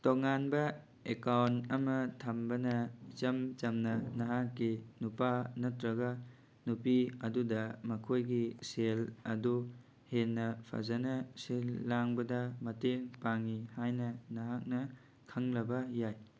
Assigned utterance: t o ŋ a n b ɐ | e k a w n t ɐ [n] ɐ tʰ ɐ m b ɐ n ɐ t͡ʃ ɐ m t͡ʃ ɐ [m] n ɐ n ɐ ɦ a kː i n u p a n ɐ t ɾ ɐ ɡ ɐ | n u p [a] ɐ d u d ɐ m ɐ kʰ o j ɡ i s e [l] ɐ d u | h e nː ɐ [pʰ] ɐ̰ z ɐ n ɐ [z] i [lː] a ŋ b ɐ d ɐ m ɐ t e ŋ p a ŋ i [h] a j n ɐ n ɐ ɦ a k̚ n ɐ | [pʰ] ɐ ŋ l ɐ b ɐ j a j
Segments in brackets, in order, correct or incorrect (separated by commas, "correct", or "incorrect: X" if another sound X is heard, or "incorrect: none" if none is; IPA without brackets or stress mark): incorrect: m, correct, incorrect: i, correct, correct, incorrect: s, correct, correct, incorrect: kʰ